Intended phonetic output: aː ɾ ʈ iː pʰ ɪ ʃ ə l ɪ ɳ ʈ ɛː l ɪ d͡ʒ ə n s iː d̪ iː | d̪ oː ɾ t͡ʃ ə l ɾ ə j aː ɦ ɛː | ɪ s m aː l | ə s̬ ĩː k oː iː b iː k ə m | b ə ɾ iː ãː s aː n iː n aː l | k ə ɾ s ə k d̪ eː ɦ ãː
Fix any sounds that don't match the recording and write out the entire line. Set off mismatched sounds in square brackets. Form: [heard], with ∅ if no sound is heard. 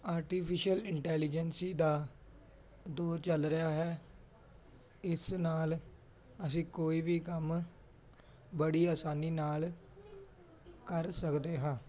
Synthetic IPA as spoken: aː ɾ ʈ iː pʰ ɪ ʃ ə l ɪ ɳ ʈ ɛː l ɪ d͡ʒ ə n s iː d̪ [aː] | d̪ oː ɾ t͡ʃ ə l ɾ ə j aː ɦ ɛː | ɪ s [n] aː l | ə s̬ ĩː k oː iː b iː k ə m | b ə [ɽ] iː [aː] s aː n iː n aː l | k ə ɾ s ə k d̪ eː ɦ ãː